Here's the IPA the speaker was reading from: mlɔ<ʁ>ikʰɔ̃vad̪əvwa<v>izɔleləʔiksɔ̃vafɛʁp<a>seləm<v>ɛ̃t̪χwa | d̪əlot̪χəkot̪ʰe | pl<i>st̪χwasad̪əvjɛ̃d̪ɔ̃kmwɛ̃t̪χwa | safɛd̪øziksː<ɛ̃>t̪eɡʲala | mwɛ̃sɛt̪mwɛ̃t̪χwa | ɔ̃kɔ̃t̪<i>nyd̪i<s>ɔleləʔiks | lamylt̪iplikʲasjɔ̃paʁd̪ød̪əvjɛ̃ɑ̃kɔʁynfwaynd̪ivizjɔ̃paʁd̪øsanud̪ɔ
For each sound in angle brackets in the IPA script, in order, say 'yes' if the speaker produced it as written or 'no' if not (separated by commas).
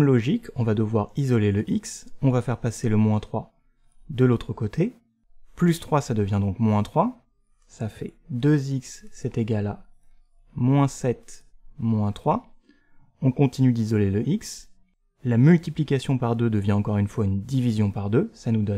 no, no, yes, no, no, no, yes, no